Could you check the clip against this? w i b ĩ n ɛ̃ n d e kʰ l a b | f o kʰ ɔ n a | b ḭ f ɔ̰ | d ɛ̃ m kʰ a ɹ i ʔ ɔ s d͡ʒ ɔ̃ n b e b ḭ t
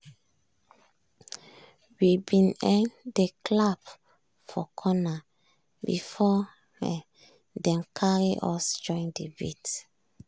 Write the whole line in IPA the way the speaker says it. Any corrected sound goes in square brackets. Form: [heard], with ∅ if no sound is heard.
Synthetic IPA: w i b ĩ n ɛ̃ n d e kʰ l a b | f [ɔ] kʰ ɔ n a | b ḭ f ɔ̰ | d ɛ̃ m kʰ a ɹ i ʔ ɔ s d͡ʒ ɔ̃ n [d] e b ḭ t